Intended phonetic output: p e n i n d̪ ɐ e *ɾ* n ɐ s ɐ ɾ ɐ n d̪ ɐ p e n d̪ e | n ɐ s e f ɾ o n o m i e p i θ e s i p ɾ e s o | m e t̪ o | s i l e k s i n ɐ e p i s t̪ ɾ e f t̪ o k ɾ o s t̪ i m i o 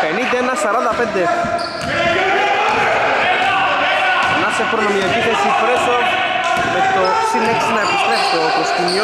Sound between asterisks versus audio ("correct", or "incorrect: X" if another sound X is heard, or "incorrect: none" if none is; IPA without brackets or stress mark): incorrect: none